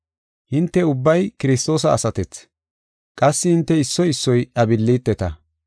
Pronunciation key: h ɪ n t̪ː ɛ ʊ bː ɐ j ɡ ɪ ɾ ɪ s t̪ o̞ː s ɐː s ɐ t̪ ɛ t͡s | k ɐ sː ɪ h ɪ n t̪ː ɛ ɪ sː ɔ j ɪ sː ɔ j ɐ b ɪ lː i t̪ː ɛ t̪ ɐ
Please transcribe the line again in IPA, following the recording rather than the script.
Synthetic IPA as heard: h ɪ n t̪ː ɛ ʊ bː ɐ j k ɪ ɾ ɪ s t̪ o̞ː s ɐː s ɐ t̪ ɛ t͡s | kʼ ɐ sː ɪ h ɪ n t̪ː ɛ ɪ sː ɔ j ɪ sː ɔ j ɐ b ɪ lː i t̪ː ɛ t̪ ɐ